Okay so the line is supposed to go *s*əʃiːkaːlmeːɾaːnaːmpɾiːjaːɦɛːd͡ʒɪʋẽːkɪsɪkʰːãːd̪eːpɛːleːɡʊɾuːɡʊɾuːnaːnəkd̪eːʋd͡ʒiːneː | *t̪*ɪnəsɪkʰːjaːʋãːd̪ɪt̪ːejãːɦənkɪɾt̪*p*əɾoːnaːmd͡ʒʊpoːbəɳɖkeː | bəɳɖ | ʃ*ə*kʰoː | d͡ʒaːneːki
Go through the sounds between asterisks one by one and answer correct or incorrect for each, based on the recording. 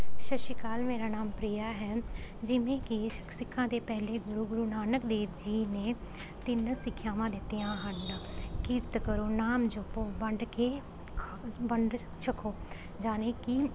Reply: incorrect, correct, incorrect, correct

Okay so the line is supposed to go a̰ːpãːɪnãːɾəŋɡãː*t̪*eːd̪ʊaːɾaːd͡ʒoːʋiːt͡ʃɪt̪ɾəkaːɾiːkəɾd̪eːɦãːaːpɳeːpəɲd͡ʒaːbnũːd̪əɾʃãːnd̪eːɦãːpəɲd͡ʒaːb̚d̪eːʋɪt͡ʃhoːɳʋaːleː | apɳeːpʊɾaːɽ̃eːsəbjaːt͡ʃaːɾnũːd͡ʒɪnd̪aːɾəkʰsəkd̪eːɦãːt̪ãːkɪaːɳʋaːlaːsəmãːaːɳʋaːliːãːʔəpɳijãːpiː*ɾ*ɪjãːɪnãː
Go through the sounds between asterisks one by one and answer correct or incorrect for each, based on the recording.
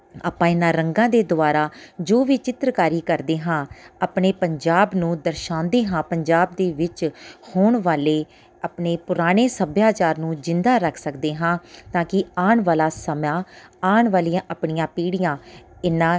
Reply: incorrect, incorrect

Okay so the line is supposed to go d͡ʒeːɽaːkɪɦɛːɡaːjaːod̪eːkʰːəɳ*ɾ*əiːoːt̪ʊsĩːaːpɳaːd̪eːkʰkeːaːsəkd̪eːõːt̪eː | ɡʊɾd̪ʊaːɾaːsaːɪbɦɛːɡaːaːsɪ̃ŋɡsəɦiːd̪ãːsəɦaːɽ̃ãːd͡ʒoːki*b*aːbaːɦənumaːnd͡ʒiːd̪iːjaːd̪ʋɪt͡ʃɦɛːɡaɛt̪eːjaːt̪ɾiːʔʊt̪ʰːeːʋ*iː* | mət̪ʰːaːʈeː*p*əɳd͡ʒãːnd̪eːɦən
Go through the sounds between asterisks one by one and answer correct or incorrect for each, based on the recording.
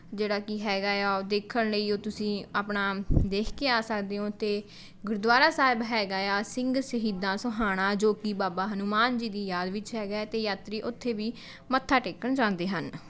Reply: incorrect, correct, correct, incorrect

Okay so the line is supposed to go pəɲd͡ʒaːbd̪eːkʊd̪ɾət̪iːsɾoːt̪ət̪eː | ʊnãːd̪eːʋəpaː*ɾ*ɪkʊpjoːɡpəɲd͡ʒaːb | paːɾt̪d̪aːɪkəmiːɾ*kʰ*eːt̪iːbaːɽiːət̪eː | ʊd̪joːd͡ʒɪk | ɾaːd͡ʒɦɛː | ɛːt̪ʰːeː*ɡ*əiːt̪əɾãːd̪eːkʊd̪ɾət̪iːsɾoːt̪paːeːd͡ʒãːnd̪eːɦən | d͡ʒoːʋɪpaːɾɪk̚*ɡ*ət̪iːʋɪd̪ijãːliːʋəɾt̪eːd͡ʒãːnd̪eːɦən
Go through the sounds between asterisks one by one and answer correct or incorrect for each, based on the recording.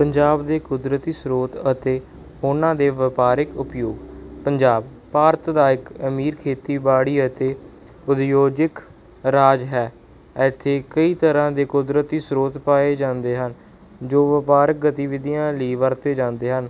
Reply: correct, correct, incorrect, correct

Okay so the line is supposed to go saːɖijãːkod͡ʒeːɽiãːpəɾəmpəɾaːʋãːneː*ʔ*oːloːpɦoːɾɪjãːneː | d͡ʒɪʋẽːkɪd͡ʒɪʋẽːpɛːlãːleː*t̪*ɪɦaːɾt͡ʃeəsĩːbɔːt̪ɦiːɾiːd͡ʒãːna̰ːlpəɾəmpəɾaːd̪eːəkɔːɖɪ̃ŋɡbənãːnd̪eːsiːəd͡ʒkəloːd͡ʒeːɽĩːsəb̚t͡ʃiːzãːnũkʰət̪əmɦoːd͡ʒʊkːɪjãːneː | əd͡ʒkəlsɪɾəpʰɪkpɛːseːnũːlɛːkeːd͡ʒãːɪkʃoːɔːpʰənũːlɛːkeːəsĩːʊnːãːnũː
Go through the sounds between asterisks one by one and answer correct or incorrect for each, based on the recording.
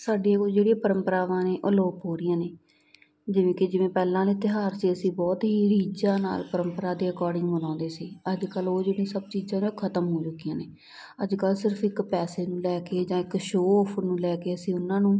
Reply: correct, correct

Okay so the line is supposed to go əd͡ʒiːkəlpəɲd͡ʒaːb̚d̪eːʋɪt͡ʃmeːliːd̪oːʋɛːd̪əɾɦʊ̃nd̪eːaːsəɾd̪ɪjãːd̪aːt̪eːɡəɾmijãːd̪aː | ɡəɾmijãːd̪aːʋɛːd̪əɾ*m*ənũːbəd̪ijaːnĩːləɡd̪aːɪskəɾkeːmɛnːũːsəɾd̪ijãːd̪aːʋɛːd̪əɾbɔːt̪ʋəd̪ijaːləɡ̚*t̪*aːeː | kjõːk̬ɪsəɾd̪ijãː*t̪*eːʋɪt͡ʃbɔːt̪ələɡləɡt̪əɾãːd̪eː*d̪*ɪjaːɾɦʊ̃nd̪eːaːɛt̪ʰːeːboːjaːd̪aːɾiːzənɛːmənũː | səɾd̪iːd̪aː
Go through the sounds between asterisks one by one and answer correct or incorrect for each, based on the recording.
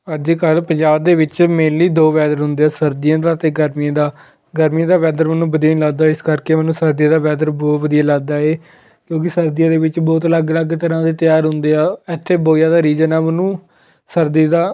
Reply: correct, incorrect, incorrect, incorrect

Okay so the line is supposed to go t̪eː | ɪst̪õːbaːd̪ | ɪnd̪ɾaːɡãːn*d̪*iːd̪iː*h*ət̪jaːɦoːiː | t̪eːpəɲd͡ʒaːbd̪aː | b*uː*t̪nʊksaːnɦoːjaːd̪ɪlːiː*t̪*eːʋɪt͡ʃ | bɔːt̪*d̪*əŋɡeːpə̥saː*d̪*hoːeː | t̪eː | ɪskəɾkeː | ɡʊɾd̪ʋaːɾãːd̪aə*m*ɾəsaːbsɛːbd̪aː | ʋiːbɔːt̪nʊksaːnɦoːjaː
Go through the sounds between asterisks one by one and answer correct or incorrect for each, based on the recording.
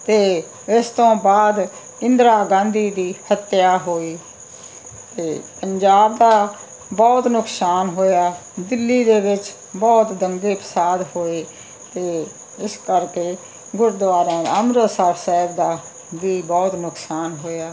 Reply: correct, correct, incorrect, incorrect, correct, correct, correct

